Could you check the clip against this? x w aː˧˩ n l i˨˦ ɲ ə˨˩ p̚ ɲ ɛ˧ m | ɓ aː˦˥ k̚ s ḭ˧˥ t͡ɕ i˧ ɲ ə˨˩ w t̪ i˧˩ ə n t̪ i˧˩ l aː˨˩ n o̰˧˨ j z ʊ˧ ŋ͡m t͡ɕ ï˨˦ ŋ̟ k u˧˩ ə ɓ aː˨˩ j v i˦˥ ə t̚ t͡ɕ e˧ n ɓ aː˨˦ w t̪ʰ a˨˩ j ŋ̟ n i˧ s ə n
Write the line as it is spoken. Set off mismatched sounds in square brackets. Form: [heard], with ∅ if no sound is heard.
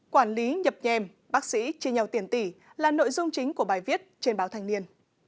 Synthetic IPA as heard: [k] w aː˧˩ n l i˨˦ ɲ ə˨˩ p̚ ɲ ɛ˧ m | ɓ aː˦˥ k̚ s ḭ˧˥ t͡ɕ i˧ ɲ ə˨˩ w t̪ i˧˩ ə n t̪ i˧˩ l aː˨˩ n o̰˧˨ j z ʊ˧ ŋ͡m t͡ɕ ï˨˦ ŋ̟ k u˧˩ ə ɓ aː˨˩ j v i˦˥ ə t̚ t͡ɕ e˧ n ɓ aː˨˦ w t̪ʰ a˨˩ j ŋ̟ n i˧ [∅] ə n